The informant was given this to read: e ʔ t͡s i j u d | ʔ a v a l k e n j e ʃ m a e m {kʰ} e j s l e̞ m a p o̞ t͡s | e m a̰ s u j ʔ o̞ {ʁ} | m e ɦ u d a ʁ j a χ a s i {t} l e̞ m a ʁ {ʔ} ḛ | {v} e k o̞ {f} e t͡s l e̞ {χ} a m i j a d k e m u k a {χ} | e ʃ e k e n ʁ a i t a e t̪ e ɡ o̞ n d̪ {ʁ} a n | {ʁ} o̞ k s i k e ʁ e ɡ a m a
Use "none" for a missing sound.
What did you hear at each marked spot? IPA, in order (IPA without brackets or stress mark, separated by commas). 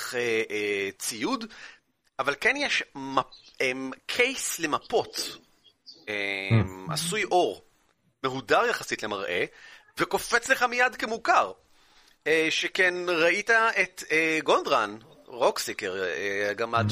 kʰ, ʁ, t, ʔ, v, f, χ, ʁ, ʁ, ʁ